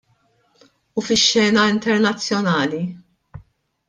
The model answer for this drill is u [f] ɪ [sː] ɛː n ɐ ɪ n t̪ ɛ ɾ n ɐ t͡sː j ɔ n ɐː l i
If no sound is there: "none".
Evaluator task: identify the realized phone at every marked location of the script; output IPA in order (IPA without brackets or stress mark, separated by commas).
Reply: f, ʃː